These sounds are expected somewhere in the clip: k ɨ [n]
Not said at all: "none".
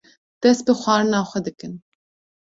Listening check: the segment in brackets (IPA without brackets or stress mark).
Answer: n